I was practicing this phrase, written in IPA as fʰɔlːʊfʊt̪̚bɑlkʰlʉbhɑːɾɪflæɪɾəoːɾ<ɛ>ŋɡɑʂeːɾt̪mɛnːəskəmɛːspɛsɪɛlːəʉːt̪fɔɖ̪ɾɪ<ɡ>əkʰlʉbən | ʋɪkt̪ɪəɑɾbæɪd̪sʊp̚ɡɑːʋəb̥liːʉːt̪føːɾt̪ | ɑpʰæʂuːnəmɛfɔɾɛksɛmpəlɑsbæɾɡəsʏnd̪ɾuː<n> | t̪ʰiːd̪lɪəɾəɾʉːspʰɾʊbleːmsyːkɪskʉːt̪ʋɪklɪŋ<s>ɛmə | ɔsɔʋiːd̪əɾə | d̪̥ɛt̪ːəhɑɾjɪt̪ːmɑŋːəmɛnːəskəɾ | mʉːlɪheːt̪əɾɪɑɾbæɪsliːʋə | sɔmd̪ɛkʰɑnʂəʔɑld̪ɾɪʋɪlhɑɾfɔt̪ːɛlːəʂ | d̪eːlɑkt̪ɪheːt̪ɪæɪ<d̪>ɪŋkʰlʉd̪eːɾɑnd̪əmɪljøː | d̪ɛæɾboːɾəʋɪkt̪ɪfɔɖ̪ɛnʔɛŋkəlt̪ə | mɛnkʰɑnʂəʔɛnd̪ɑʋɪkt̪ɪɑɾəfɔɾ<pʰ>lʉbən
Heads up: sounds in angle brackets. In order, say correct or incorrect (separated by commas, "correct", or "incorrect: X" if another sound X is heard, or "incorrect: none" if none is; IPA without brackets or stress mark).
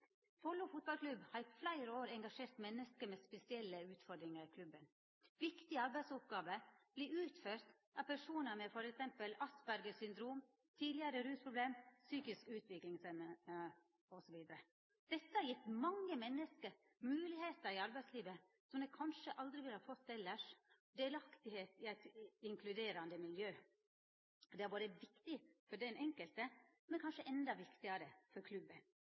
correct, incorrect: ŋ, incorrect: m, correct, incorrect: t̪, incorrect: kʰ